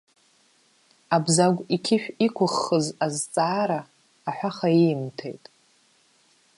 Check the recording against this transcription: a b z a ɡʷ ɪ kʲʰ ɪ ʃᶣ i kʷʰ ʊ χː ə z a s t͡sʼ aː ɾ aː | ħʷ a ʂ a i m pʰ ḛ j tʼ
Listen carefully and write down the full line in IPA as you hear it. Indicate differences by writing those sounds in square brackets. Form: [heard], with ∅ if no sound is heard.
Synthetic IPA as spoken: a b z a ɡʷ [i] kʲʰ ɪ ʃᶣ i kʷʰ ʊ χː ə z a [z] t͡sʼ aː ɾ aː | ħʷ a [χ] a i m [tʰ] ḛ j tʼ